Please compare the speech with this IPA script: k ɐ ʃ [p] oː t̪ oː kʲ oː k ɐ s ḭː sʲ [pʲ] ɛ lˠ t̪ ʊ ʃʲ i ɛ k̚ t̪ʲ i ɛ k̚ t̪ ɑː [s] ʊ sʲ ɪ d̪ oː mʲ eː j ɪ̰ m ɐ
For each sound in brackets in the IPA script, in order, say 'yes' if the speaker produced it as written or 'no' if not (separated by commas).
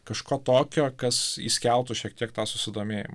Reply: no, no, yes